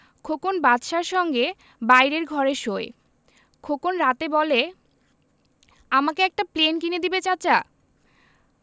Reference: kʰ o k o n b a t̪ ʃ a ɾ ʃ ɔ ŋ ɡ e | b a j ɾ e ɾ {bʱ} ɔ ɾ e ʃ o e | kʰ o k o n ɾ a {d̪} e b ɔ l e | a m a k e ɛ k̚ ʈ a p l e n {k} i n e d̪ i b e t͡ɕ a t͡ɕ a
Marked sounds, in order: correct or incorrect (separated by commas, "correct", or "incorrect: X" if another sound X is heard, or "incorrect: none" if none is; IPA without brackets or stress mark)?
incorrect: ɡʱ, incorrect: t̪, correct